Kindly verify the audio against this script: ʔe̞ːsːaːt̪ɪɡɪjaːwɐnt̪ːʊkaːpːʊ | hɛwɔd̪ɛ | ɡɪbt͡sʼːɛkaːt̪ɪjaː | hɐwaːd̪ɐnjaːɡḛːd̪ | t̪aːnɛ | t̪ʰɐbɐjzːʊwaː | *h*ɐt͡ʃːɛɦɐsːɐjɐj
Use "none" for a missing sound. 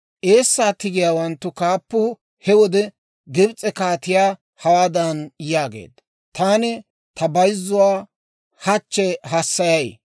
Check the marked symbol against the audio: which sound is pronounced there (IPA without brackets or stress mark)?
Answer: h